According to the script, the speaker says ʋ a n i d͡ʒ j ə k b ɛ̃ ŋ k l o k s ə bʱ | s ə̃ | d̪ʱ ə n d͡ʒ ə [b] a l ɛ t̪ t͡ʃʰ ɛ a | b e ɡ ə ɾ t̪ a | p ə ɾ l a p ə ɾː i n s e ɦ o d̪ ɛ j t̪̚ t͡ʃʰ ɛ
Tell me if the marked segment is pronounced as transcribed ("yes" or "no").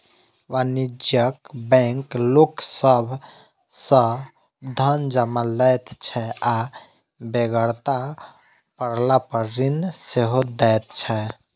no